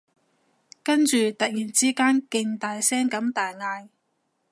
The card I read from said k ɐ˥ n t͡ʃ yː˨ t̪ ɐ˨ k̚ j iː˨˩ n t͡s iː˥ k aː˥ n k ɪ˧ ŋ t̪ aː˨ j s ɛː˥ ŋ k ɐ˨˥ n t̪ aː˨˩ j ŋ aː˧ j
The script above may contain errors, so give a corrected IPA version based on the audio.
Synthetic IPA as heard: k ɐ˥ n t͡ʃ yː˨ t̪ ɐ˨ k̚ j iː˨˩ n t͡s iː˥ k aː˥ n k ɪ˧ ŋ t̪ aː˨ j s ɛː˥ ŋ k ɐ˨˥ m t̪ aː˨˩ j ŋ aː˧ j

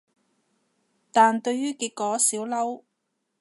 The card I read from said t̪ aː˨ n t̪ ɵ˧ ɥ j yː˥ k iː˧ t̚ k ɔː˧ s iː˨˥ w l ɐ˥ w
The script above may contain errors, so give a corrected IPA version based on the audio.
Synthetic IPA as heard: t̪ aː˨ n t̪ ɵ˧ ɥ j yː˥ k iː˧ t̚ k ɔː˨˥ s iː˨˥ w l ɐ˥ w

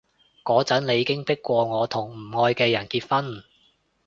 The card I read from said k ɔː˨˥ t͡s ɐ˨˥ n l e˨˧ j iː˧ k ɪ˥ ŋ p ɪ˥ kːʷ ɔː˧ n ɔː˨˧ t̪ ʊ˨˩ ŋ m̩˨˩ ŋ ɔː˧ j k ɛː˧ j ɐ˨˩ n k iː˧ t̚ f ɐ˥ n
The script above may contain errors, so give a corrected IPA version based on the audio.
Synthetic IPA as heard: k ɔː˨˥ t͡s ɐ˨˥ n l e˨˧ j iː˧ k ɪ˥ ŋ p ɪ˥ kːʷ ɔː˧ ŋ ɔː˨˧ t̪ʰ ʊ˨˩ ŋ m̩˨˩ ŋ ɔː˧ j k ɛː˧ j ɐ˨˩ n k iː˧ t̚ f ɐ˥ n

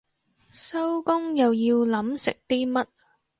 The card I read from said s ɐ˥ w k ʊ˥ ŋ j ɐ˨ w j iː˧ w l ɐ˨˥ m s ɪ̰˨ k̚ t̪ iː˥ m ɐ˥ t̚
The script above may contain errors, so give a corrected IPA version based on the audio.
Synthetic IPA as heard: s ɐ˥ w k ʊ˥ ŋ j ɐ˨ w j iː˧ w l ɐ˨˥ m s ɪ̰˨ k̚ t̪ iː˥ m ɐ˥ t̚

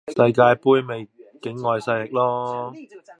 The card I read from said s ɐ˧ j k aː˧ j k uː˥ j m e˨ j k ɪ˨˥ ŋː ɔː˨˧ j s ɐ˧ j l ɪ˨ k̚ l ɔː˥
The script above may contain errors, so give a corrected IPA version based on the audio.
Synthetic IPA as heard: s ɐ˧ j k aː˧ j p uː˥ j m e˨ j k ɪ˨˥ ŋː ɔː˨˧ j s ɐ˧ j l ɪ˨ k̚ l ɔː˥

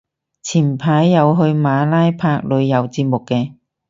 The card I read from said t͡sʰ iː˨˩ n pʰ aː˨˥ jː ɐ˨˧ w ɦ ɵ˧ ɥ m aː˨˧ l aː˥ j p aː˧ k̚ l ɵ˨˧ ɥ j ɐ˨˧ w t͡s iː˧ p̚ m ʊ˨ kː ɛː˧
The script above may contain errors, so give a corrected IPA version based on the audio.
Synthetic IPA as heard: t͡sʰ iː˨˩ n pʰ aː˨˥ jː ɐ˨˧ w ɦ ɵ˧ ɥ m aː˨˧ l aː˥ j pʰ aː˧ k̚ l ɵ˨˧ ɥ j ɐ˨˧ w t͡s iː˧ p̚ m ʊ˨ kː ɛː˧

